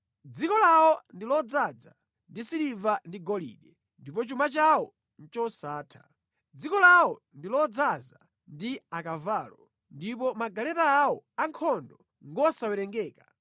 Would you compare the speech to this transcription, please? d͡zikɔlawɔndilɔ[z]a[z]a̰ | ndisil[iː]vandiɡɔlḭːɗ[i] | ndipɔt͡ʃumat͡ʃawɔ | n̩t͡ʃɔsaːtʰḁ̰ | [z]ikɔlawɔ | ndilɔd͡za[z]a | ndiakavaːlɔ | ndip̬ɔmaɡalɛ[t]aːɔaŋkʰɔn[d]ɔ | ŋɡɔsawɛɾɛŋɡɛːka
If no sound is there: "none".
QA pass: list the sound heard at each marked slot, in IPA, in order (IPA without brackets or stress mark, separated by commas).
d͡z, d͡z, i, ɛ, d͡z, z, t, d